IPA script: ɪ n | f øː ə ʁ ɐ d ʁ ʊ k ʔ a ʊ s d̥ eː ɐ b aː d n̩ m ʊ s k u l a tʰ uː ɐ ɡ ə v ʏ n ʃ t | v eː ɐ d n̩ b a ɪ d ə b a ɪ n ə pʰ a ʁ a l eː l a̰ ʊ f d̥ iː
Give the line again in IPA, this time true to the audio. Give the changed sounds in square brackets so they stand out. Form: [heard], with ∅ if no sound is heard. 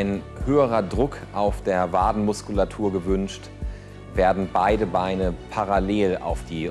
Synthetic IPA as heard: ɪ n | [h] øː ə ʁ ɐ d ʁ ʊ k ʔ a ʊ [f] d̥ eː ɐ [v] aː d n̩ m ʊ s k u l a tʰ uː ɐ ɡ ə v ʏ n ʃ t | v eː ɐ d n̩ b a ɪ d ə b a ɪ n ə pʰ a ʁ a l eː l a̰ ʊ f d̥ iː